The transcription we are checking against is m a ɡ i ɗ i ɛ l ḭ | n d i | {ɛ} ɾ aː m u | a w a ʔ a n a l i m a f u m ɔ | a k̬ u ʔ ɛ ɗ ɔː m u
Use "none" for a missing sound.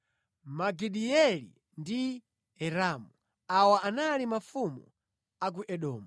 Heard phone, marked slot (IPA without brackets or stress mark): ɛ